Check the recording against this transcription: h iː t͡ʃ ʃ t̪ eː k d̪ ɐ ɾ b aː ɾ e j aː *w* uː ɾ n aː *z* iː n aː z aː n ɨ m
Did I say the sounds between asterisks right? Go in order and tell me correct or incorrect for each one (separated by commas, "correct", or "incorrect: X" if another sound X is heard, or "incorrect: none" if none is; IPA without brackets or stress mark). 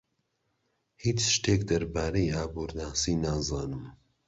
incorrect: b, incorrect: s